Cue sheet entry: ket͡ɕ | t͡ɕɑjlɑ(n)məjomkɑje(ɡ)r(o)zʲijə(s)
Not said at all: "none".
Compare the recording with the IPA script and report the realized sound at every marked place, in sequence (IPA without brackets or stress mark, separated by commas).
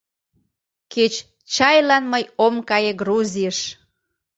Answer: n, ɡ, u, ʃ